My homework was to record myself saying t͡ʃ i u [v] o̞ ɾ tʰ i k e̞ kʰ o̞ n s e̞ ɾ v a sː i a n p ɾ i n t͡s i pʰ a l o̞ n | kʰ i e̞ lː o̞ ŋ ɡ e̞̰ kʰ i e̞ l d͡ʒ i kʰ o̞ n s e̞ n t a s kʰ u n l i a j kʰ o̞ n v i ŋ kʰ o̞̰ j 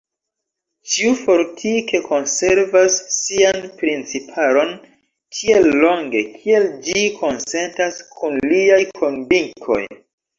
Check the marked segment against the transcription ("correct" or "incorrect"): incorrect